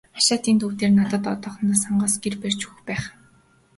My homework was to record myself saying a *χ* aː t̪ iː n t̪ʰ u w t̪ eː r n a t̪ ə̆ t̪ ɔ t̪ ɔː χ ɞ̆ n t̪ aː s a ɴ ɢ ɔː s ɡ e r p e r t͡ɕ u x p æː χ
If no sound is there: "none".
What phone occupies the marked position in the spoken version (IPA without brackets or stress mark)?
ʃ